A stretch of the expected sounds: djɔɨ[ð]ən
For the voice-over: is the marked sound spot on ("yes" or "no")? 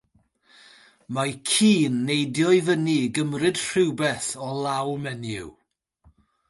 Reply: no